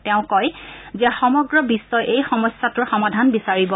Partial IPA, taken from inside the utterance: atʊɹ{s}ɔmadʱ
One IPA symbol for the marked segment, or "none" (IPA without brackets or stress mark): x